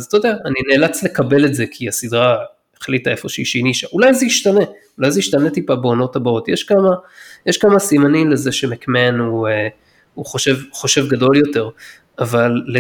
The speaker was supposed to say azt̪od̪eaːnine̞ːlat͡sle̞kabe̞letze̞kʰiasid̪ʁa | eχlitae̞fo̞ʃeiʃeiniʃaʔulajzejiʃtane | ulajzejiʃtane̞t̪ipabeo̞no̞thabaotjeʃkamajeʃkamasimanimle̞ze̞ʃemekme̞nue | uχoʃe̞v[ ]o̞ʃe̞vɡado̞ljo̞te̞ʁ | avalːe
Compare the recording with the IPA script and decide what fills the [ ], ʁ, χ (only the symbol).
χ